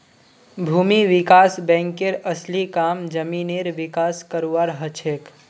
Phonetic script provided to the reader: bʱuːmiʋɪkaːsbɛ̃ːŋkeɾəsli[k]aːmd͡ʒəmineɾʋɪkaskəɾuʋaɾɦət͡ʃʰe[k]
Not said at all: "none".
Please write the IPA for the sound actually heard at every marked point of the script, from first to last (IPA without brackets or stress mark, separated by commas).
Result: k, k